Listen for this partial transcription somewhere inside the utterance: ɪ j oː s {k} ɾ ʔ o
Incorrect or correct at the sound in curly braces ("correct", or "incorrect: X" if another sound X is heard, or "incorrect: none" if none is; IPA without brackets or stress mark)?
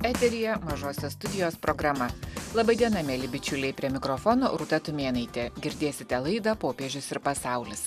incorrect: p